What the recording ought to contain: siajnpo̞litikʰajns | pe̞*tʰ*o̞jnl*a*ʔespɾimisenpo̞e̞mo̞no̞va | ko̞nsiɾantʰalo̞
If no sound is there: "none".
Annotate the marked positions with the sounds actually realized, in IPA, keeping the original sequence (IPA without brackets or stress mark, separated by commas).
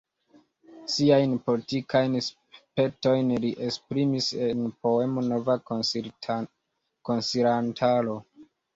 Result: t, i